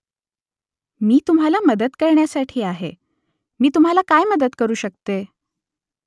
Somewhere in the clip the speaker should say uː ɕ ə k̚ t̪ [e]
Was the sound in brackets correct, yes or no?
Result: yes